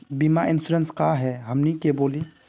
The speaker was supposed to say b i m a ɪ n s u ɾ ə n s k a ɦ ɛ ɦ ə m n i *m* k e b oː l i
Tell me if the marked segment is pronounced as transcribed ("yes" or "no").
no